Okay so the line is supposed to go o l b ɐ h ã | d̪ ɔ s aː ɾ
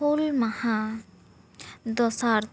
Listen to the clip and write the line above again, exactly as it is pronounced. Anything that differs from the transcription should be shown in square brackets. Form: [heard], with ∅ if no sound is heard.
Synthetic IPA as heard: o l [m] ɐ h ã | d̪ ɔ s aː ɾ